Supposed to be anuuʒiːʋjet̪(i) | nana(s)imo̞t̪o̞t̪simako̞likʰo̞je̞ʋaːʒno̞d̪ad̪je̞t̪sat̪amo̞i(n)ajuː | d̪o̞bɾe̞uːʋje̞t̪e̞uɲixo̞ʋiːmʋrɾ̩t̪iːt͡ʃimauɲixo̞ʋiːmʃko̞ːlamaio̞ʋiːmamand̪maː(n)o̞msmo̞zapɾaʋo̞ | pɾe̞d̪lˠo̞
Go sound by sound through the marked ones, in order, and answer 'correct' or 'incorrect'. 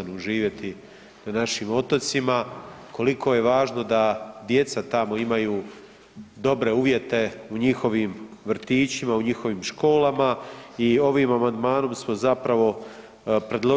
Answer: correct, incorrect: ʃ, incorrect: m, correct

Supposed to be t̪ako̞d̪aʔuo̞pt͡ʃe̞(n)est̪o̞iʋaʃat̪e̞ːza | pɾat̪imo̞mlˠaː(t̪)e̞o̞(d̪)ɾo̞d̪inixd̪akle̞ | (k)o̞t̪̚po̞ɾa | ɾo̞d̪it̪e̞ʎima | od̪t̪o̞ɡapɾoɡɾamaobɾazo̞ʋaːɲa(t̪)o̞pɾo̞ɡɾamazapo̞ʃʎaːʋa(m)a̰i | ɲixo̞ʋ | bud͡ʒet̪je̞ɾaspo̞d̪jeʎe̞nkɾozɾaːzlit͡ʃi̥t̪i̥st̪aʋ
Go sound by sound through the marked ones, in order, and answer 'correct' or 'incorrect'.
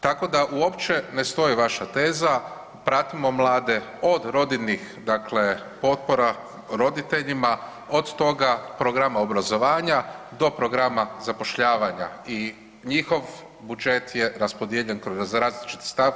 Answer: correct, incorrect: d̪, correct, incorrect: p, incorrect: d̪, incorrect: ɲ

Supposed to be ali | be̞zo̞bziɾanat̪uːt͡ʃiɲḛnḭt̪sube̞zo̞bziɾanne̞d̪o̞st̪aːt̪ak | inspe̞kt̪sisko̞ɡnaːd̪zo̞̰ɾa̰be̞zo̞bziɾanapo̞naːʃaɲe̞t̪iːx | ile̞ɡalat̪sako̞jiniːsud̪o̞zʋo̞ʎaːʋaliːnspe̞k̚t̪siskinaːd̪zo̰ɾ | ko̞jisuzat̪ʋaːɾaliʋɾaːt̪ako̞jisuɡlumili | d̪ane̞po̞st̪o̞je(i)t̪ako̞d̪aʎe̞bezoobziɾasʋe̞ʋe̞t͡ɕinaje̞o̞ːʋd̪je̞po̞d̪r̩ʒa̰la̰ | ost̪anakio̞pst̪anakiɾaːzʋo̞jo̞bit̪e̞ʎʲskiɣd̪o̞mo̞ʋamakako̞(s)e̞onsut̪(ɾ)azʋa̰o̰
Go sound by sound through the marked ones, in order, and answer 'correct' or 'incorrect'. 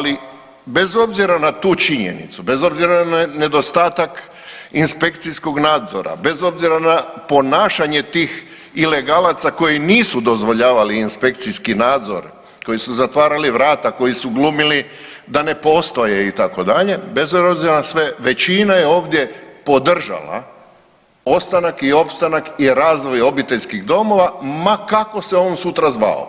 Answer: correct, correct, correct

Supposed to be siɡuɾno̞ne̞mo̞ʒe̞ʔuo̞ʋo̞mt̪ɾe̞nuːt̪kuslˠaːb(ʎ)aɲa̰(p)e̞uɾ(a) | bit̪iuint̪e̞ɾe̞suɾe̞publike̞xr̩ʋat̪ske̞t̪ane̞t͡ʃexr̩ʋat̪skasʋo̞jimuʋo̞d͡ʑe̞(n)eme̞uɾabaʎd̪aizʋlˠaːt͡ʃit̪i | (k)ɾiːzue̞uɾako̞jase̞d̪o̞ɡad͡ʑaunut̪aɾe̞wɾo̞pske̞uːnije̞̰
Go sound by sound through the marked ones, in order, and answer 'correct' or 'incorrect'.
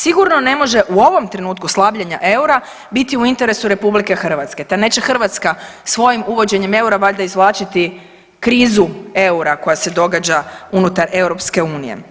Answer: correct, incorrect: ʔ, correct, incorrect: ɲ, correct

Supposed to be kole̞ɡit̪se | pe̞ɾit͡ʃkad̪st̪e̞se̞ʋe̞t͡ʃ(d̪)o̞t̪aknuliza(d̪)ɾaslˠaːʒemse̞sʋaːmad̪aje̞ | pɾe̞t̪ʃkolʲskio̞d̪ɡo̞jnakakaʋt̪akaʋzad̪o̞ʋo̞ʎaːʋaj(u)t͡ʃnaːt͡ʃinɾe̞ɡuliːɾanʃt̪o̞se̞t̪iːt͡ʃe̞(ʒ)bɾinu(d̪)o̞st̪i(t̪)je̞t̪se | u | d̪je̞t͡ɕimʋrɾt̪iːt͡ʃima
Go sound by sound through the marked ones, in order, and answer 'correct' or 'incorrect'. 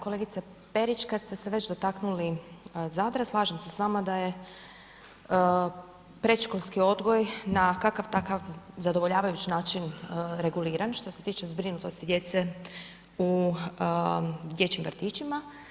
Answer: correct, correct, correct, incorrect: z, incorrect: t̪, incorrect: d̪

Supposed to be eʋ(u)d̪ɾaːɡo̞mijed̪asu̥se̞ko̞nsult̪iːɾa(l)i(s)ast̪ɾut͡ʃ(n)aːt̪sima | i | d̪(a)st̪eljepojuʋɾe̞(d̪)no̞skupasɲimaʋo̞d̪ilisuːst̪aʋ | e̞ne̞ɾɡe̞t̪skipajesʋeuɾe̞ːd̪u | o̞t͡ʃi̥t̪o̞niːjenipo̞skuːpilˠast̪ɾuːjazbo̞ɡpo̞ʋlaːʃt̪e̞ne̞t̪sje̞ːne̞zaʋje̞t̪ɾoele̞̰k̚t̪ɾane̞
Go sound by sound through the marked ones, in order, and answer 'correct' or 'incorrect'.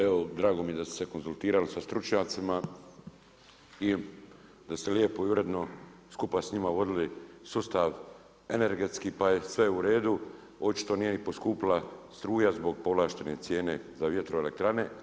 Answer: incorrect: o, correct, correct, incorrect: ɲ, correct, correct

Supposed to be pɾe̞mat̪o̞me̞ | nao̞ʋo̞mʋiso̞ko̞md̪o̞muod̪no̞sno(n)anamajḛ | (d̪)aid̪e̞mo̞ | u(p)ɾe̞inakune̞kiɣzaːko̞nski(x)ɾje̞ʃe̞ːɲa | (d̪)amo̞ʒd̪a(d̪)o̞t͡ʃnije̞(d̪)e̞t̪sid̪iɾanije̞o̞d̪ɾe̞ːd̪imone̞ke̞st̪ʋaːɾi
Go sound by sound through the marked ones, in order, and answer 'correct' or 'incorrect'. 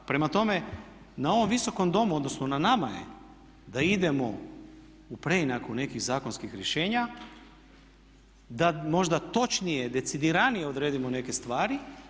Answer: correct, correct, correct, correct, correct, incorrect: t̪, correct

